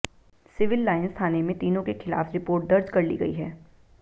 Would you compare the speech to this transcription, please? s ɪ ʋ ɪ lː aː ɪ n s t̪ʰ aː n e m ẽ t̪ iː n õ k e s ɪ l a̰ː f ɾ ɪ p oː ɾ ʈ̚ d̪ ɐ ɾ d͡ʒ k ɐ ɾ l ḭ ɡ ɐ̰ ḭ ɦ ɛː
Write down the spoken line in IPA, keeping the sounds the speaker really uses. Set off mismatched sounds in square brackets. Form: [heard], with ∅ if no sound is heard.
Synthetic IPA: s ɪ ʋ ɪ lː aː ɪ n s t̪ʰ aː n e m ẽ t̪ iː n õ k e [x] ɪ l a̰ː f ɾ ɪ p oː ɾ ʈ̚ d̪ ɐ ɾ d͡ʒ k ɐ ɾ l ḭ ɡ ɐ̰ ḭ ɦ ɛː